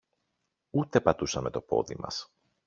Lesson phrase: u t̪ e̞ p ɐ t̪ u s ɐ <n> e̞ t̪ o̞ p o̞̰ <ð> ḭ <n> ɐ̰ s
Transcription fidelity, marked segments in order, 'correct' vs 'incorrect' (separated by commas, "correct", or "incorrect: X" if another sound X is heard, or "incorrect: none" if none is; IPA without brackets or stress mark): incorrect: m, correct, incorrect: m